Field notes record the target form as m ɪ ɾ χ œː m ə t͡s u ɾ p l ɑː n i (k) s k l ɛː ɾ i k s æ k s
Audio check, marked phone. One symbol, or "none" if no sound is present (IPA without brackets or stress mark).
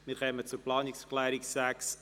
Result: k